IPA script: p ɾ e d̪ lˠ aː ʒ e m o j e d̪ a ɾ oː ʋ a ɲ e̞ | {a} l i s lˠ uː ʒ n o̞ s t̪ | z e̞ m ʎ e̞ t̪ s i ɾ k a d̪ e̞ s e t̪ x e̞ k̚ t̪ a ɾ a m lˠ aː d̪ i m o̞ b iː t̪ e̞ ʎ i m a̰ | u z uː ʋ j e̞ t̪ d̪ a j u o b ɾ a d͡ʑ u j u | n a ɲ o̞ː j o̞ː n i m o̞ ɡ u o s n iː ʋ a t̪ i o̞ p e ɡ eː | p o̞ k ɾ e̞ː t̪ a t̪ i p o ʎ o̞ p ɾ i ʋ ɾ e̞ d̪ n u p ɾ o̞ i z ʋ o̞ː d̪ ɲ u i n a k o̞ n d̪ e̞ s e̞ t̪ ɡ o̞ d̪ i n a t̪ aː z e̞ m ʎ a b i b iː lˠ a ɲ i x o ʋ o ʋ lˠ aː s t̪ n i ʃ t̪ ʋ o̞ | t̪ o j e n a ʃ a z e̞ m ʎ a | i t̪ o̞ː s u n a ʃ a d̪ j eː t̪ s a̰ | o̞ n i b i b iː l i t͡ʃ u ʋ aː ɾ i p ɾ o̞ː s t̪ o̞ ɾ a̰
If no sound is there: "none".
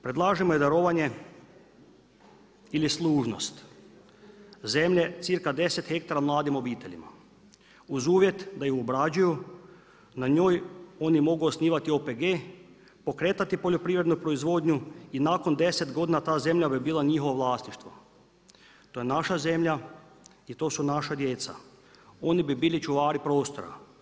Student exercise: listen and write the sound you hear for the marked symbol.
i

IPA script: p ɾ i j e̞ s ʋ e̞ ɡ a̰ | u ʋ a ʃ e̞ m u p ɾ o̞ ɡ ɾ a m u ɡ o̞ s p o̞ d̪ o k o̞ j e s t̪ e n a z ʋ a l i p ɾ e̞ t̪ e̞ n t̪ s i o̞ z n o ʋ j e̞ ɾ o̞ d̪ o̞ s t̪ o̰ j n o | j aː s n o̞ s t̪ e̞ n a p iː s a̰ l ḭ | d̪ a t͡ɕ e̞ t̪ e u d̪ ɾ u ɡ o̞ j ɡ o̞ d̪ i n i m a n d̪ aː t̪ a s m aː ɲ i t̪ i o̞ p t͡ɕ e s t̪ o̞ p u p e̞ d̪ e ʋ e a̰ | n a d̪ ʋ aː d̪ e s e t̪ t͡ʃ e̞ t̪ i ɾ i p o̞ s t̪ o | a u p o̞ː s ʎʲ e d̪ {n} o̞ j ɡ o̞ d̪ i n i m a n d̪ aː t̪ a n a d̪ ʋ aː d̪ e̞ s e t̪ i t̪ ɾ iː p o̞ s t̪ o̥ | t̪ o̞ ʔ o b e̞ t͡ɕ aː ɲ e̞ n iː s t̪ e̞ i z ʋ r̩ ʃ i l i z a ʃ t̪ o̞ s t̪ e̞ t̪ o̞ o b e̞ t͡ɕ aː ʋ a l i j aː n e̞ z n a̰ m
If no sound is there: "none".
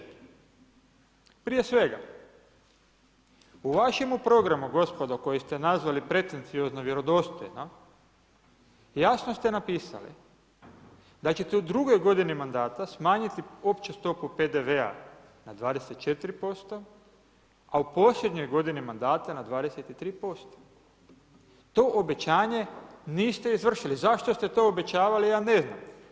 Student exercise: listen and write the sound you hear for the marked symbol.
ɲ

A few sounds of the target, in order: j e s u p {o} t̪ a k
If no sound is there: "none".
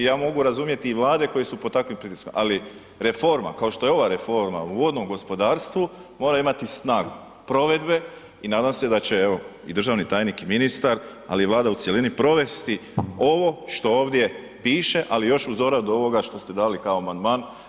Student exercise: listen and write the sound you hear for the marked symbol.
o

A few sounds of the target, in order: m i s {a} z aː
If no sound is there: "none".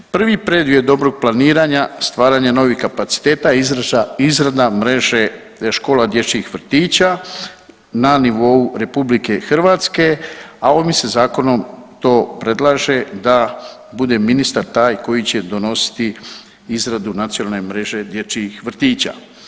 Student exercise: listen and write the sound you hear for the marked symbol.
e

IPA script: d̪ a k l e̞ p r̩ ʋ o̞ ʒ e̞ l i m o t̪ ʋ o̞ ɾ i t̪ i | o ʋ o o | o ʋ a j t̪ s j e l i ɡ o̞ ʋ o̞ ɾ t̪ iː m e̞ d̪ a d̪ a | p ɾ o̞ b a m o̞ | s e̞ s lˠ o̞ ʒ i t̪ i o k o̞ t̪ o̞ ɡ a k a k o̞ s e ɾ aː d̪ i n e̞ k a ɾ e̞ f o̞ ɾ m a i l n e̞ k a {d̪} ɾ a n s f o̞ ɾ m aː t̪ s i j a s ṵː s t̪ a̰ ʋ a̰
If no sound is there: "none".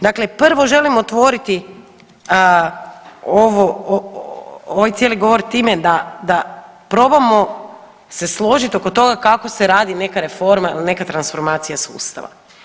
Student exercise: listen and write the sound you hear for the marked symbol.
t̪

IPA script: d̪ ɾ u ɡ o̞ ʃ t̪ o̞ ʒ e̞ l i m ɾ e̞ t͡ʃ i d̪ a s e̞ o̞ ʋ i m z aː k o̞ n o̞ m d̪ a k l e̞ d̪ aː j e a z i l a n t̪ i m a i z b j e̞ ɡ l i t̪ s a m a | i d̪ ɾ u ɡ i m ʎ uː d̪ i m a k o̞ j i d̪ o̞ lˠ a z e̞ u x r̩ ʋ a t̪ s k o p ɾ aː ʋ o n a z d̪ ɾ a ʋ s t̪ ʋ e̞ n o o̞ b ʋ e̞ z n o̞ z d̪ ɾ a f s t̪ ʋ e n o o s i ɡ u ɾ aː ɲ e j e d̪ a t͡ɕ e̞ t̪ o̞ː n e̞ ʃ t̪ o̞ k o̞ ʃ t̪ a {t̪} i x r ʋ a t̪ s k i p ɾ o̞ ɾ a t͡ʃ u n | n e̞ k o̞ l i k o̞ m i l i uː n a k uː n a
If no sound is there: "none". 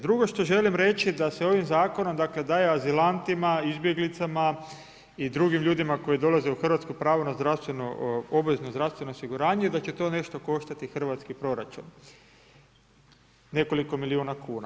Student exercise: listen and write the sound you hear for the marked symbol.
t̪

